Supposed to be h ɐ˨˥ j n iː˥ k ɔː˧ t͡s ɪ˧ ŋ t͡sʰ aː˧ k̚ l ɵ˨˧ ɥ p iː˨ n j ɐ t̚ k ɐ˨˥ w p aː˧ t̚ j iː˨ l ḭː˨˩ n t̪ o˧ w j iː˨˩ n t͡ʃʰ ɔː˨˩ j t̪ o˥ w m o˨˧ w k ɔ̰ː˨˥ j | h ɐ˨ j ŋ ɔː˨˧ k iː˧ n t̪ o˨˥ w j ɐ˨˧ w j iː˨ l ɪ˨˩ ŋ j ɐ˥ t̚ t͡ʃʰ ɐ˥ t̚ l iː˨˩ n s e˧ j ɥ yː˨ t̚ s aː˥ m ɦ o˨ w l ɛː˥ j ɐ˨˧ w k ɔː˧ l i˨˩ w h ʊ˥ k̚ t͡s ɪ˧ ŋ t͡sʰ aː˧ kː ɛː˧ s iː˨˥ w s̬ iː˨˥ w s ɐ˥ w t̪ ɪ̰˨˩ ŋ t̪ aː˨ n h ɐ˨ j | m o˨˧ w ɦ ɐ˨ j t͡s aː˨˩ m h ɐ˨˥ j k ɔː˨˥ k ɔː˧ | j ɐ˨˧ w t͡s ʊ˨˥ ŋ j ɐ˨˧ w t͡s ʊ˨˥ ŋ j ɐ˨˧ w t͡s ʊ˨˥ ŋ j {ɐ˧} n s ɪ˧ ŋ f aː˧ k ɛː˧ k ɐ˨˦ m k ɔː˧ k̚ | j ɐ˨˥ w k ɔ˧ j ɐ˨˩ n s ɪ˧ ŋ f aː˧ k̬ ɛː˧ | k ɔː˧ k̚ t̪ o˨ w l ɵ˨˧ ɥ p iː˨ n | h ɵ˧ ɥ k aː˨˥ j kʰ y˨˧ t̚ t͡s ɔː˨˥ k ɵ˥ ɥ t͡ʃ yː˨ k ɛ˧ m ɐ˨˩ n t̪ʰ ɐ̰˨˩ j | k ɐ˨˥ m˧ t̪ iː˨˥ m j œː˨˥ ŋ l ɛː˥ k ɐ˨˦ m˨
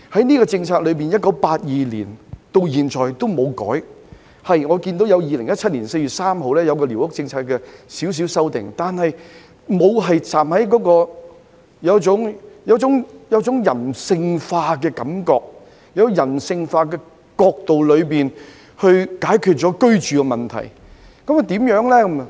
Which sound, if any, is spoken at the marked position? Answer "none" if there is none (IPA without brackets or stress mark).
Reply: ɐ˨˩